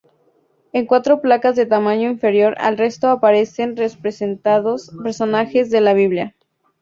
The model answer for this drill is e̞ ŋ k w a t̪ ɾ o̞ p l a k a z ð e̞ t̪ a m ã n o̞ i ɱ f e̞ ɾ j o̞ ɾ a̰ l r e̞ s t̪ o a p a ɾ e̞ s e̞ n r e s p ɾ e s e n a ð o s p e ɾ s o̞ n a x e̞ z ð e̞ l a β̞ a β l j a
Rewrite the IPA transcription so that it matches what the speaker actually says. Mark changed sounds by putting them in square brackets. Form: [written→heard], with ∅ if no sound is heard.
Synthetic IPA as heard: e̞ ŋ k w a t̪ ɾ o̞ p l a k a z ð e̞ t̪ a m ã [n→ɲ] o̞ i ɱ f e̞ ɾ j o̞ ɾ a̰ l r e̞ s t̪ o a p a ɾ e̞ s e̞ n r e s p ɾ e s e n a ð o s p e ɾ s o̞ n a x e̞ z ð e̞ l a β̞ [a→i] β l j a